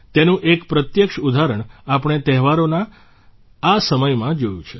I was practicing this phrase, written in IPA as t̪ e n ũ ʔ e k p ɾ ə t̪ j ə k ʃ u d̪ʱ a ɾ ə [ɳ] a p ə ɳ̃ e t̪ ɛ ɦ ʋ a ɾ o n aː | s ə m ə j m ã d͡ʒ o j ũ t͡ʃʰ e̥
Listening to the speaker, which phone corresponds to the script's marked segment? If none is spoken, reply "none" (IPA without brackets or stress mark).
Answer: ɳ